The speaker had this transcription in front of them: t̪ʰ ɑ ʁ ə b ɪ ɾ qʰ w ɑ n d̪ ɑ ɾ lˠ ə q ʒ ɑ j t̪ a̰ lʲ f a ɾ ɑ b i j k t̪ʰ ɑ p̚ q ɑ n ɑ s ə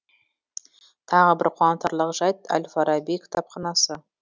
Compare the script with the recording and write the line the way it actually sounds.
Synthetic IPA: t̪ʰ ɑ ʁ ə b ɪ ɾ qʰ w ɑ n t̪ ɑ ɾ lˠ ə q ʒ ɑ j t̪ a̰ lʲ f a ɾ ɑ b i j k t̪ʰ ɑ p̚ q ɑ n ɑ s ə